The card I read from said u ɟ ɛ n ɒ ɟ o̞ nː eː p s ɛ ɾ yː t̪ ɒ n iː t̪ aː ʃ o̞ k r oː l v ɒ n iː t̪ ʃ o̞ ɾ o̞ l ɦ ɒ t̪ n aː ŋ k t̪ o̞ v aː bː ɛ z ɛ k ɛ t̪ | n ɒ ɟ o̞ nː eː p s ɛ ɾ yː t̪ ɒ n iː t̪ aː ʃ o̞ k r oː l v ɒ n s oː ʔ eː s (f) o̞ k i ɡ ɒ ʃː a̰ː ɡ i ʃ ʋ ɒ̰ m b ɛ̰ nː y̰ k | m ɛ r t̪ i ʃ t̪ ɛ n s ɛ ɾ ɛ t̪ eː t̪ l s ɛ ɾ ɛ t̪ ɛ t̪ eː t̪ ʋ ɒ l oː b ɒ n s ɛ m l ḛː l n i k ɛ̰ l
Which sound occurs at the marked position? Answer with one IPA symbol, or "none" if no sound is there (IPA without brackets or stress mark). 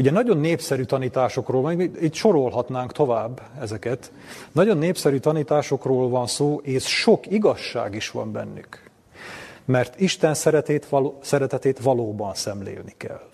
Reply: ʃ